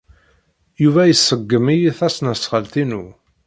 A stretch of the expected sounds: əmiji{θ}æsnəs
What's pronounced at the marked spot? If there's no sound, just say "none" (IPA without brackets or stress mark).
θ